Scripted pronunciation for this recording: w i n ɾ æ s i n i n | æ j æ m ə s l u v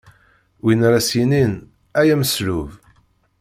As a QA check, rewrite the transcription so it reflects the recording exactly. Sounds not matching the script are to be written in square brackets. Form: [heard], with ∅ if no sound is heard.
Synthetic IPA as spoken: w i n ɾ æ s i n i n | æ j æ m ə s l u v